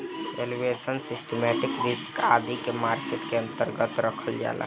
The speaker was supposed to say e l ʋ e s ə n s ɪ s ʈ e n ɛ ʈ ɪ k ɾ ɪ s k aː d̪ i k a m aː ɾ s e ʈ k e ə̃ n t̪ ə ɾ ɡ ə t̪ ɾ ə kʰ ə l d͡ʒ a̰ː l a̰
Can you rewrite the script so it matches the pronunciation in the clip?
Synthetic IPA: e l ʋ e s ə n s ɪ s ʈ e m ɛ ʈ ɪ k ɾ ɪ s k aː d̪ i k e m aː ɾ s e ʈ k e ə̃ n t̪ ə ɾ ɡ ə t̪ ɾ ə kʰ ə l d͡ʒ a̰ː l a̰